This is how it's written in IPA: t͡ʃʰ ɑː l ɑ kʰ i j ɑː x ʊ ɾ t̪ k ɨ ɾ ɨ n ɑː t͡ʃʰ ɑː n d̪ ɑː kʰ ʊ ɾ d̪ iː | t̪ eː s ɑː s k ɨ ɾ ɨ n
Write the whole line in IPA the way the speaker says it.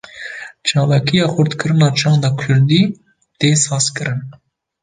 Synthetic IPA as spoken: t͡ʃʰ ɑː l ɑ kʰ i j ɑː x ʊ ɾ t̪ k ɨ ɾ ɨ n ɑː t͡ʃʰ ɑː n d̪ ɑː kʰ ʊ ɾ d̪ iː | t̪ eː s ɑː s k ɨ ɾ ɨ n